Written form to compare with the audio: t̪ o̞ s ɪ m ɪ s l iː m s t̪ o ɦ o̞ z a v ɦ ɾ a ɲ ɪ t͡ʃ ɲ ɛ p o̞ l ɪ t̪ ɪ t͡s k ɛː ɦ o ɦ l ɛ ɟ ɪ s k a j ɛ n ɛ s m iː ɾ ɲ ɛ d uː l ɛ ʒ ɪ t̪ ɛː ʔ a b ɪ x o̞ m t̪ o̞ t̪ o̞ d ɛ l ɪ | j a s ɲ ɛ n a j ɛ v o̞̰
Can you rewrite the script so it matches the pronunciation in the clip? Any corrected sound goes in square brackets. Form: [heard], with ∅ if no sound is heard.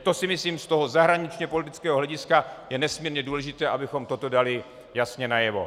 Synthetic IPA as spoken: t̪ o̞ s ɪ m ɪ s l iː m s t̪ o ɦ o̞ z a [∅] ɦ ɾ a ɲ ɪ t͡ʃ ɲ ɛ p o̞ l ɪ t̪ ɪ t͡s k ɛː ɦ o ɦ l ɛ ɟ ɪ s k a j ɛ n ɛ s m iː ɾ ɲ ɛ d uː l ɛ ʒ ɪ t̪ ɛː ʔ a b ɪ x o̞ m t̪ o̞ t̪ o̞ d [a] l ɪ | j a s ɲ ɛ n a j ɛ v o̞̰